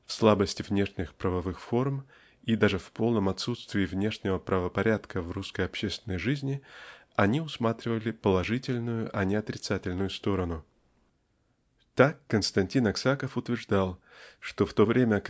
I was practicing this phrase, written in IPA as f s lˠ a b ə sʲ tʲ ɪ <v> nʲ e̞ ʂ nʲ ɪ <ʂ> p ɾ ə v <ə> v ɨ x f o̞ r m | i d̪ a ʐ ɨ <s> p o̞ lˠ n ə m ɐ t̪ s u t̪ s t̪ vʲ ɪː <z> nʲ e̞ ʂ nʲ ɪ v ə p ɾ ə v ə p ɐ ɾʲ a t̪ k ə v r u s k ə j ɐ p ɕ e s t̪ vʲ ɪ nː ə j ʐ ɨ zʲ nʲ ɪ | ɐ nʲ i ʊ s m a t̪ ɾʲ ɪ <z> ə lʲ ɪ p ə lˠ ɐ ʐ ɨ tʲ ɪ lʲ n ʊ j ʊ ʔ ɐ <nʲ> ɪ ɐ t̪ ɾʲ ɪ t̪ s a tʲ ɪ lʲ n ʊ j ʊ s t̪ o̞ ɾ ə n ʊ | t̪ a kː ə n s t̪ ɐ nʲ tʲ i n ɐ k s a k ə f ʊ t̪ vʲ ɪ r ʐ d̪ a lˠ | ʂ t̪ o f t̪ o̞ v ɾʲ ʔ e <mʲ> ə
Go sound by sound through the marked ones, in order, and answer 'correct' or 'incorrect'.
correct, incorrect: x, incorrect: ɐ, incorrect: f, incorrect: v, incorrect: v, correct, correct

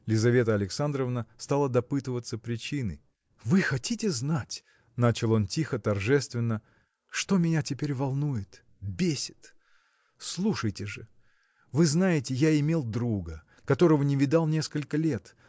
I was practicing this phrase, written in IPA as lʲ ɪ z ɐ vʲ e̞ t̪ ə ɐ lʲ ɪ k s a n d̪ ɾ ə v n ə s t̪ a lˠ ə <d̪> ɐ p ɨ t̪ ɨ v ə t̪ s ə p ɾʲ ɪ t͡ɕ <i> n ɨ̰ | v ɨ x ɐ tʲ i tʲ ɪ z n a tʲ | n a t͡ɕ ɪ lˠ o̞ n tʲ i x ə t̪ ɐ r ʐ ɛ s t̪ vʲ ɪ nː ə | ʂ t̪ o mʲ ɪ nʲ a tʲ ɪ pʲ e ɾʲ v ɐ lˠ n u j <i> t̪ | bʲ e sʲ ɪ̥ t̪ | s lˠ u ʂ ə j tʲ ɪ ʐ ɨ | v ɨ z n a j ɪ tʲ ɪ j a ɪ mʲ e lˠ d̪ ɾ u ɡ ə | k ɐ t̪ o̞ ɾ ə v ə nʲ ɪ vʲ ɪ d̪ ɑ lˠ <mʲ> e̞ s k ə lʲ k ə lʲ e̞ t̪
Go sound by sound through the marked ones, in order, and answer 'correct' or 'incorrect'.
correct, correct, incorrect: ɪ, incorrect: nʲ

